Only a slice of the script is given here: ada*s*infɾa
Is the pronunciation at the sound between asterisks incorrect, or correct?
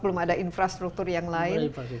incorrect